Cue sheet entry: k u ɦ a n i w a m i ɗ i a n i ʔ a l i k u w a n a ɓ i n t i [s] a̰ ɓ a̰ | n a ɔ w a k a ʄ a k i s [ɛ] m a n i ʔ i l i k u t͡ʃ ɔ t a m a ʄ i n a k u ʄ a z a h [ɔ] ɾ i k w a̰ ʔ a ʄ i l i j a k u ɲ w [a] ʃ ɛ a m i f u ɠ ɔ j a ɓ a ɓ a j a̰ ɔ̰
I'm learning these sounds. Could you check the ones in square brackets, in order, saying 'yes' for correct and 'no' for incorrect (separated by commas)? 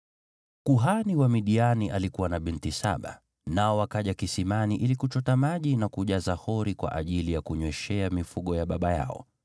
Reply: yes, no, yes, no